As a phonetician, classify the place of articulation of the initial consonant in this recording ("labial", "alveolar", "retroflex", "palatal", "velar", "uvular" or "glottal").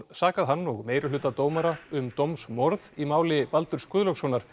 alveolar